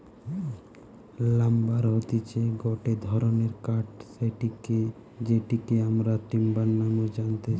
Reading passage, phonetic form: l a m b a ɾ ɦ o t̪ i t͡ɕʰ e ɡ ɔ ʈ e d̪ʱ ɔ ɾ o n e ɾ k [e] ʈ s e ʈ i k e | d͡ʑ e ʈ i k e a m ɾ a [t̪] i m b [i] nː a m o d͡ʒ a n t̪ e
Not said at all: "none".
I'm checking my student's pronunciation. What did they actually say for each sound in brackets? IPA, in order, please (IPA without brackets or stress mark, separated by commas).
a, t̪, a